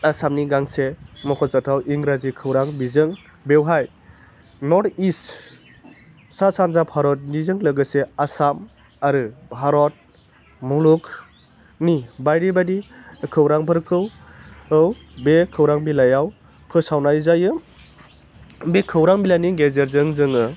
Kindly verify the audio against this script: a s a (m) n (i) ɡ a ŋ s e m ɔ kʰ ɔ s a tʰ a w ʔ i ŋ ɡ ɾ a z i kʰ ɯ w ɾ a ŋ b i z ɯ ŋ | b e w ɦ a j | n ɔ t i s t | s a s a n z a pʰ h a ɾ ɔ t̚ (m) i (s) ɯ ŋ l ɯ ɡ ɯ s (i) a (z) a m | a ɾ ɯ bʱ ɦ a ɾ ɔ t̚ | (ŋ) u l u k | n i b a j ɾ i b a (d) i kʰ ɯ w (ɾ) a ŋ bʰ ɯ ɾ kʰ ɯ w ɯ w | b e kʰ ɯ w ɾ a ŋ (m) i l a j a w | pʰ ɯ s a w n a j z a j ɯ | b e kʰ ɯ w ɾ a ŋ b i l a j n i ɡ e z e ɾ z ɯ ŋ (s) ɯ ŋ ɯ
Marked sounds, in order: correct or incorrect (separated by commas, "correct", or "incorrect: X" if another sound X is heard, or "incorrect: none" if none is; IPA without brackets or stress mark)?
correct, correct, incorrect: n, incorrect: z, incorrect: e, incorrect: s, incorrect: m, correct, correct, incorrect: b, incorrect: z